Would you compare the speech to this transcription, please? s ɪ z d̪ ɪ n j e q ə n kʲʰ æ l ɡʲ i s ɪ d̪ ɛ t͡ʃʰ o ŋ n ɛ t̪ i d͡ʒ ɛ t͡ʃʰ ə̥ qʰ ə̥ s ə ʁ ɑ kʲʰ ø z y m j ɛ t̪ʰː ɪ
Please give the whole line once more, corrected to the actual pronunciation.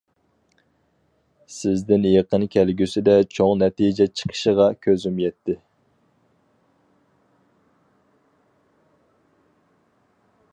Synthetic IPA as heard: s ɪ z d̪ ɪ n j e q ə n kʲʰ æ l ɡʲ y s ɪ d̪ ɛ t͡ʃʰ o ŋ n ɛ t̪ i d͡ʒ ɛ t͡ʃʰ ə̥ qʰ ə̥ ʃ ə ʁ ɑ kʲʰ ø z y m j ɛ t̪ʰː ɪ